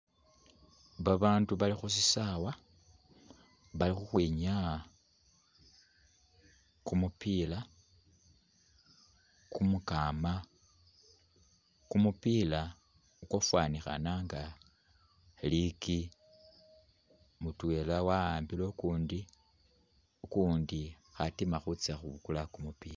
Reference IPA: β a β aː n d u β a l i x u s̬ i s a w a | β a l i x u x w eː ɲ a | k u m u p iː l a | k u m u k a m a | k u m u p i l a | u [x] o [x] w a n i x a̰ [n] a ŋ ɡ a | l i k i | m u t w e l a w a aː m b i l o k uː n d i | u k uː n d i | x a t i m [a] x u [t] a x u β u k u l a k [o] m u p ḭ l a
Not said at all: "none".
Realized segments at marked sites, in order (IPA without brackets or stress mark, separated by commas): k, f, n, a, t͡s, u